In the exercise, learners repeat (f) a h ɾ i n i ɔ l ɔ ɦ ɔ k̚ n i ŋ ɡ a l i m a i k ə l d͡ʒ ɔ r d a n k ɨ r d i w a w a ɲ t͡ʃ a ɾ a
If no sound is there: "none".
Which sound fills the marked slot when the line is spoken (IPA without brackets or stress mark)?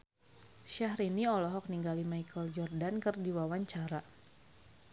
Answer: ʃ